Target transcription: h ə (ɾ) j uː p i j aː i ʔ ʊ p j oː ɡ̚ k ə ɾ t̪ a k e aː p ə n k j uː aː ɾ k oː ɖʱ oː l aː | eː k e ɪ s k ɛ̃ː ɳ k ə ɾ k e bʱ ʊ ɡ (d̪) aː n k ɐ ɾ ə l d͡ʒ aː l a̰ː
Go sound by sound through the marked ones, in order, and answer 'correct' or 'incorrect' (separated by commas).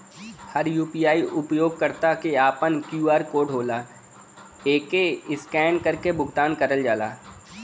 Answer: correct, incorrect